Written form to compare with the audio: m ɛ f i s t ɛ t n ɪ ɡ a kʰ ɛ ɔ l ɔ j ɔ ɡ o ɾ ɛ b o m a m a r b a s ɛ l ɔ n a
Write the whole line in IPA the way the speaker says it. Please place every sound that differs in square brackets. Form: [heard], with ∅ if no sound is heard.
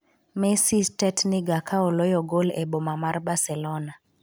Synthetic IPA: m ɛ [s] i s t ɛ t n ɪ ɡ a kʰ [a] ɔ l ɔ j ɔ ɡ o [l] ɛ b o m a m a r b a s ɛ l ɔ n a

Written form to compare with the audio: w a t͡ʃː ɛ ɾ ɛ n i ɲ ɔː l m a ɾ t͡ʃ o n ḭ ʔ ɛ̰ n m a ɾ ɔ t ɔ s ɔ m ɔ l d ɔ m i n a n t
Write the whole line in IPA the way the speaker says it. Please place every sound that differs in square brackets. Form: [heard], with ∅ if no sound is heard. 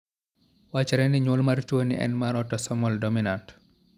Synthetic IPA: w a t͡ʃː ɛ ɾ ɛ n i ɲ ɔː l m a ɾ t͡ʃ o n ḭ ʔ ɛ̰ n m a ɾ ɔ t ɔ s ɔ m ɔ l d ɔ m i n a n t

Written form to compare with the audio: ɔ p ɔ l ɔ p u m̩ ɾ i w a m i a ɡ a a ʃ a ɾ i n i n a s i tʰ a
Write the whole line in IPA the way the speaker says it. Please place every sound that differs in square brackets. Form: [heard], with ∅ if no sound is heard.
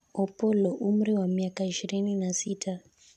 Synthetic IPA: ɔ p ɔ l ɔ [ʔ] u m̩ ɾ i w a m i a [k] a [i] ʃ [i] ɾ i n i n a s i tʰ a

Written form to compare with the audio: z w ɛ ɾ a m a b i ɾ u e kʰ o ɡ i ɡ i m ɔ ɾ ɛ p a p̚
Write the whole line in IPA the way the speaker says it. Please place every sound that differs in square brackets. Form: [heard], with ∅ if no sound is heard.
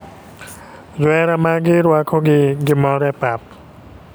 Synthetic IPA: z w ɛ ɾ a m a [ɡ] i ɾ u [a] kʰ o ɡ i ɡ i m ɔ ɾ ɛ p a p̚

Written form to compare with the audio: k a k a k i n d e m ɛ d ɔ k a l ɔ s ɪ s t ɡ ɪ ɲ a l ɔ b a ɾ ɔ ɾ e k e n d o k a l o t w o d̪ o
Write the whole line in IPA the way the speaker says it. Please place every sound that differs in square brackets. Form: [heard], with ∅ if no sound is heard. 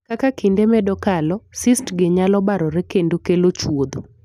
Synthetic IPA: k a k a k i n d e m ɛ d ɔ k a l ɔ s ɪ s t ɡ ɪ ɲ a l ɔ b a ɾ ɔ ɾ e k e n d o k [e] l o [t͡ʃ] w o d̪ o

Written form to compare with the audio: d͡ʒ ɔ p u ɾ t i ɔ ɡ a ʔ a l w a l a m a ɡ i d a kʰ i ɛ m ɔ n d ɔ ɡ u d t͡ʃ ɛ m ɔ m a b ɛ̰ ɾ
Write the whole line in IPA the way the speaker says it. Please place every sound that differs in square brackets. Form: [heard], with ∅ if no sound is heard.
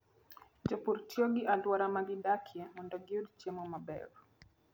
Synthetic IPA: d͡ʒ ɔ p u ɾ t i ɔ ɡ [i] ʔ a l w a [ɾ] a m a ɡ i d a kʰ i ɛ m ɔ n d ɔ ɡ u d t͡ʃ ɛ m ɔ m a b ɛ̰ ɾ

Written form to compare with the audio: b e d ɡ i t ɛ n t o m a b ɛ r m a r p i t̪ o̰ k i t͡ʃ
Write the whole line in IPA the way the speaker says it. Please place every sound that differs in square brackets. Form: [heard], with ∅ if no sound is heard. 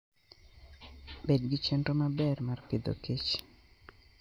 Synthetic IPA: b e d ɡ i [t͡ʃ] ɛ n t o m a b ɛ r m a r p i [d̪] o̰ k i t͡ʃ

